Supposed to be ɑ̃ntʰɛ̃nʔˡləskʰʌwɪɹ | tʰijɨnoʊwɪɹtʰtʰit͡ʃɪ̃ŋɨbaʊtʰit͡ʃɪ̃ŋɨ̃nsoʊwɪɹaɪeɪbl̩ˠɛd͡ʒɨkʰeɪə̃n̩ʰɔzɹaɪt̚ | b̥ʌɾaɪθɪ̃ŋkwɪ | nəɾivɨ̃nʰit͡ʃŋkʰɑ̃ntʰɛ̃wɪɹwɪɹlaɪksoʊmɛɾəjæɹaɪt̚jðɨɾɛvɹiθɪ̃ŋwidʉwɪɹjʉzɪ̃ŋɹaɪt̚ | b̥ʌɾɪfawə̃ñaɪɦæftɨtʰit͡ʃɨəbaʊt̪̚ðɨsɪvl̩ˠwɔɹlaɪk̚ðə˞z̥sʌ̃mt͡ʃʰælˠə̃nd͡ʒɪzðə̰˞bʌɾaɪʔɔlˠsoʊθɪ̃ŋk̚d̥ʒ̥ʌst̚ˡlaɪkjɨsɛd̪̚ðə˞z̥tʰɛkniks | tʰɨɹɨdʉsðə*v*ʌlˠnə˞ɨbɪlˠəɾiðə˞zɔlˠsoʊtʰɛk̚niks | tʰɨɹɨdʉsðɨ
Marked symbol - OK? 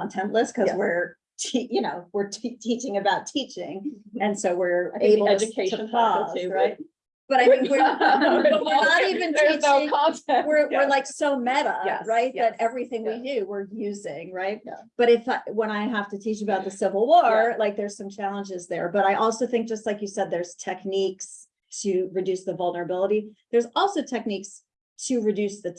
yes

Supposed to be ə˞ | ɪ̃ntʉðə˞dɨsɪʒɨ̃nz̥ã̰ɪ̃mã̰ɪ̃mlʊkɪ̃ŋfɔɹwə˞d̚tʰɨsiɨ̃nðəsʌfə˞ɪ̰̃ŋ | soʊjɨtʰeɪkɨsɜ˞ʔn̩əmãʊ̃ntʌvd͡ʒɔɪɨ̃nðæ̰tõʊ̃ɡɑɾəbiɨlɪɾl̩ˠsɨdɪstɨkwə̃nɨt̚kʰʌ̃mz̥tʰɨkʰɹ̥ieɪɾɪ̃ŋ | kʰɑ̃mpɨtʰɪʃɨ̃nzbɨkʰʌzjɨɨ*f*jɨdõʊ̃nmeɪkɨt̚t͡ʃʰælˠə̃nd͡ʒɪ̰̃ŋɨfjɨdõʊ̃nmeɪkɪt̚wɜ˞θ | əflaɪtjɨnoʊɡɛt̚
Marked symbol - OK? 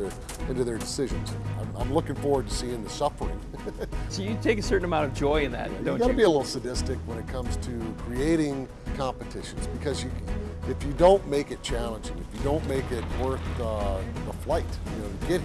yes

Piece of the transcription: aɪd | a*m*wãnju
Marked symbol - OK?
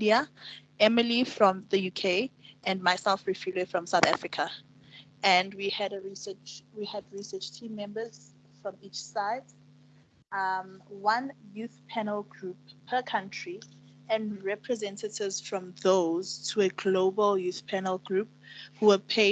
yes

